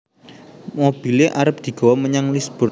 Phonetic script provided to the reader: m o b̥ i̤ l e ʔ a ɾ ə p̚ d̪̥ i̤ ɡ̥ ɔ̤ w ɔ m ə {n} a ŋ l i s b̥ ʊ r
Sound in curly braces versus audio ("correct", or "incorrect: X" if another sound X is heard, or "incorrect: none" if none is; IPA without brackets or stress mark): incorrect: ɲ